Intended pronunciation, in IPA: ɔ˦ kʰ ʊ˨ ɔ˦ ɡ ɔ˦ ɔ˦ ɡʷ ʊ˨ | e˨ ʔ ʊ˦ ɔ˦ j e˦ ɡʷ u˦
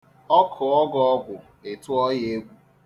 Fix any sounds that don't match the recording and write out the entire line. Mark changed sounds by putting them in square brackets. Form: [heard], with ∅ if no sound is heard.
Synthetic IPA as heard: ɔ˦ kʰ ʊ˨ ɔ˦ ɡ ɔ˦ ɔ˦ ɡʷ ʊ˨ | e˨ [t] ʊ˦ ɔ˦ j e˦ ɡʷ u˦

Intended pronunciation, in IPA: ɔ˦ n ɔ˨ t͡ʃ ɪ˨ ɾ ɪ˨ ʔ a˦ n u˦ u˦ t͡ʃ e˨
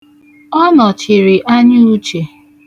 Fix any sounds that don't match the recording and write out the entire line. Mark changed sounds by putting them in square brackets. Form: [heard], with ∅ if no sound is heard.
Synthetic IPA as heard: ɔ˦ n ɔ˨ t͡ʃ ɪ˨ ɾ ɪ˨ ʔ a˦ [ɲ] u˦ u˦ t͡ʃ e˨

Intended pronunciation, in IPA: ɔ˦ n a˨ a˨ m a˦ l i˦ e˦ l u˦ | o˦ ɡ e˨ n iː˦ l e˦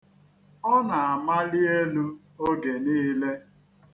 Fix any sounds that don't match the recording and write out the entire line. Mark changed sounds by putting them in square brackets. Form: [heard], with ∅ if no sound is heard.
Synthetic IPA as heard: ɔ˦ n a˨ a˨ m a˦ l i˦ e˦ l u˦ | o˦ ɡ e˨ n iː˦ l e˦

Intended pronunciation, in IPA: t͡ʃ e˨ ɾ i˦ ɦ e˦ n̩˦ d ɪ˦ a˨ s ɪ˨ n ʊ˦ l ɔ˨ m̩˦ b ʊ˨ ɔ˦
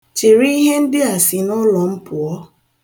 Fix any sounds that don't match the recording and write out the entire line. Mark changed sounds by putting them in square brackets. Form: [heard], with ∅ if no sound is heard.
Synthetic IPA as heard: t͡ʃ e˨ ɾ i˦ ɦ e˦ n̩˦ d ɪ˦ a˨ s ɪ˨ n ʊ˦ l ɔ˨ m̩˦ [p] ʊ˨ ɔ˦

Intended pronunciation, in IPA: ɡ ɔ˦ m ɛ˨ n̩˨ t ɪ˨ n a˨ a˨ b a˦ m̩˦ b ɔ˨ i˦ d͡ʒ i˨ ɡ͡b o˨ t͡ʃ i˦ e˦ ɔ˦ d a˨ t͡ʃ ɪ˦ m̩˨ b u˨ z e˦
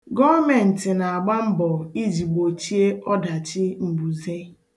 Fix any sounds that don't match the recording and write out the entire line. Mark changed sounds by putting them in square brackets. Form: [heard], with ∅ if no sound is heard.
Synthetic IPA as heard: ɡ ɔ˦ m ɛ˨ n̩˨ t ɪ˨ n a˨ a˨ [ɡ͡b] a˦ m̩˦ b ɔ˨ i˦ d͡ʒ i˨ ɡ͡b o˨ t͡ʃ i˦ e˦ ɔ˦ d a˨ t͡ʃ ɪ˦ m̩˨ b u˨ z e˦

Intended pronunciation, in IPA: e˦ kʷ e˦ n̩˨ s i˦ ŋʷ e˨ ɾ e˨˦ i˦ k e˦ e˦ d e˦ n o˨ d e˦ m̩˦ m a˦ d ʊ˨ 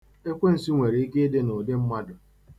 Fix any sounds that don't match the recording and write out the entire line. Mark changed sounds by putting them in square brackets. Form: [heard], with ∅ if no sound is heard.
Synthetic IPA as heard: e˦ kʷ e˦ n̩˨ s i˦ ŋʷ e˨ ɾ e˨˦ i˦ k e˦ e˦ d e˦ n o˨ d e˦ m̩˦ m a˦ d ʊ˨

